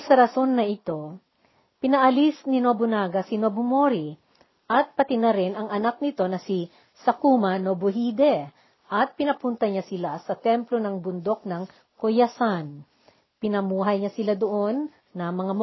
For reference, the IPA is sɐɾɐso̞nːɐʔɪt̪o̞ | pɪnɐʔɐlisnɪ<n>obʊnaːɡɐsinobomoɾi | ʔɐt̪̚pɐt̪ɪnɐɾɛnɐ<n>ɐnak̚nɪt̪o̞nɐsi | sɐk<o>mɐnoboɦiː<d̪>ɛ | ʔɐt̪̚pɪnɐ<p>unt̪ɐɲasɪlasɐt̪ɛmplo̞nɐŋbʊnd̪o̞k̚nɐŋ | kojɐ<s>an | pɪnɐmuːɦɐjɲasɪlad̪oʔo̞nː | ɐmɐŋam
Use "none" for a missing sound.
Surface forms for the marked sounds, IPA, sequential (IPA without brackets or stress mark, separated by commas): n, ŋ, u, d̪, p, s